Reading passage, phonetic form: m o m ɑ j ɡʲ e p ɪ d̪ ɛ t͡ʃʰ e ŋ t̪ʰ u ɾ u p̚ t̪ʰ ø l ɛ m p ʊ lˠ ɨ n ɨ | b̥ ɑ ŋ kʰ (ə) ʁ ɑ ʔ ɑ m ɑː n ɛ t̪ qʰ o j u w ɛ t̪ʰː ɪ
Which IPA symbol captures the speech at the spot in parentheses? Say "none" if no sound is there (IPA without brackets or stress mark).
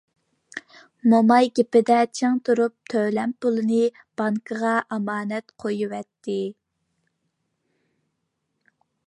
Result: ə